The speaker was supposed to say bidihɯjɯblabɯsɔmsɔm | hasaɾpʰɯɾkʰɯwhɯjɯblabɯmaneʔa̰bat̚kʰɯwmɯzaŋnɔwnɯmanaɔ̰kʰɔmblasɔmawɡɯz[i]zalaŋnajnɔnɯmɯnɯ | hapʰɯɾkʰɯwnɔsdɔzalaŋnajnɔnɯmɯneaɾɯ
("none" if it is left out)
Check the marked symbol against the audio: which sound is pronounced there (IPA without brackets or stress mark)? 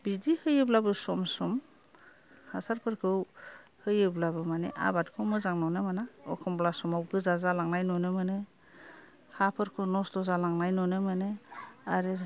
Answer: a